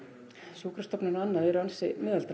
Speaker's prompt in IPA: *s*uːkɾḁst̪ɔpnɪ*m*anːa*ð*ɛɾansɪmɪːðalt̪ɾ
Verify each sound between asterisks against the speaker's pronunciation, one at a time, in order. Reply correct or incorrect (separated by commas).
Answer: correct, incorrect, correct